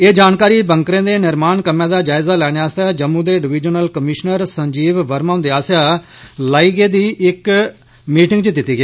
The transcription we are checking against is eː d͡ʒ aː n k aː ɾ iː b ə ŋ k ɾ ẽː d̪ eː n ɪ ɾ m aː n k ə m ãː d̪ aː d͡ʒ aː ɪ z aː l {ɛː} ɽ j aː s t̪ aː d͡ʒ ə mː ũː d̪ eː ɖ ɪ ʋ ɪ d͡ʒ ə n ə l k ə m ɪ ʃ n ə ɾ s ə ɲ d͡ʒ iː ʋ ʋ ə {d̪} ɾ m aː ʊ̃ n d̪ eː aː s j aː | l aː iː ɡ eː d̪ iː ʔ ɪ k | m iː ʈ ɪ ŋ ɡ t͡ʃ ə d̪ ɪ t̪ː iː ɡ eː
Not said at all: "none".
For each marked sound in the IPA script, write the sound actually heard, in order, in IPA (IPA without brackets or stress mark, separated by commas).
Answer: ɛː, none